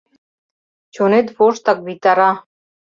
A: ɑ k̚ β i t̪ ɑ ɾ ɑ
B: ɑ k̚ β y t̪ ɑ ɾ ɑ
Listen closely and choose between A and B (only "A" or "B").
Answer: A